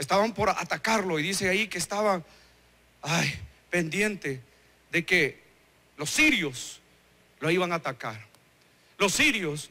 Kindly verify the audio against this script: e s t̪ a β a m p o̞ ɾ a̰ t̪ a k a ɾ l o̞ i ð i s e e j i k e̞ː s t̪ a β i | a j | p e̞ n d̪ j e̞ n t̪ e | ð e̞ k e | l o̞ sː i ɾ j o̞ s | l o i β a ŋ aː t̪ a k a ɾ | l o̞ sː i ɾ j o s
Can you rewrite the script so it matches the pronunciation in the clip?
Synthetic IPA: e s t̪ a β a m p o̞ ɾ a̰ t̪ a k a ɾ l o̞ i ð i s e a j i k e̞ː s t̪ a β a | a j | p e̞ n d̪ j e̞ n t̪ e | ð e̞ k e | l o̞ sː i ɾ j o̞ s | l o i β a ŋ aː t̪ a k a ɾ | l o̞ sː i ɾ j o s